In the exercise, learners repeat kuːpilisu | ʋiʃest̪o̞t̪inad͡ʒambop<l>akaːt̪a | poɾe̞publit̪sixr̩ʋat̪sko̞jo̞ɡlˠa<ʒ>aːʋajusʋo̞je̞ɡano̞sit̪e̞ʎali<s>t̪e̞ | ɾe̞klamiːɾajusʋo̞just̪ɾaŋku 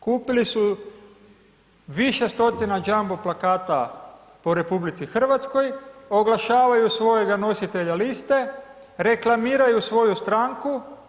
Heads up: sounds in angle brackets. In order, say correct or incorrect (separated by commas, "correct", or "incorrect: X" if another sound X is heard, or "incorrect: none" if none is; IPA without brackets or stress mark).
correct, incorrect: ʃ, correct